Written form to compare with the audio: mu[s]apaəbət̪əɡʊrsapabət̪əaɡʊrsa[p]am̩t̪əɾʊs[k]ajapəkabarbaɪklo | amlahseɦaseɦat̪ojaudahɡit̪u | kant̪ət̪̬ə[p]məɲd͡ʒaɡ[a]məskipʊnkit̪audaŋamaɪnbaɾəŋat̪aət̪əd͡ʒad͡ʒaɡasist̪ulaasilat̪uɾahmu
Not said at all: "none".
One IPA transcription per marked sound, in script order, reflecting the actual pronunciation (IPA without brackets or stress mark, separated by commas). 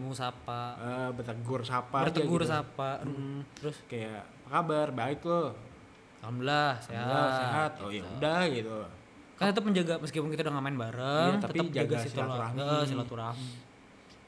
s, p, k, p, a